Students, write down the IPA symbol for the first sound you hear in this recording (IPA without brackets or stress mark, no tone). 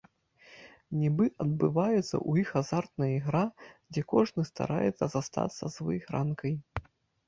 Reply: nʲ